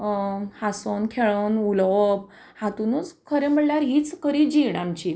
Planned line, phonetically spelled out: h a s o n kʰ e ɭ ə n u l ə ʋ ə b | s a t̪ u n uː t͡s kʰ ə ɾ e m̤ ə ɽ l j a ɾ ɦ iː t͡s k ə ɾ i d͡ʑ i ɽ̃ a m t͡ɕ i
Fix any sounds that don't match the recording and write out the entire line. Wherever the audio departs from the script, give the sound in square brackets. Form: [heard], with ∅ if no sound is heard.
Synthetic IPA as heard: h a s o n kʰ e ɭ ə n u l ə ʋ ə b | [h] a t̪ u n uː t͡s kʰ ə ɾ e m̤ ə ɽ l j a ɾ ɦ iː t͡s k ə ɾ i d͡ʑ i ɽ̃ a m t͡ɕ i